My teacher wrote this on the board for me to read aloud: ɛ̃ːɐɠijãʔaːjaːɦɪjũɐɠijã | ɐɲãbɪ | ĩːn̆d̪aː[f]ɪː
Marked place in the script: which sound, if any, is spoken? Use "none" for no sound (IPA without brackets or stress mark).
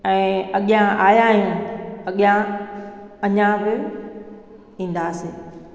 s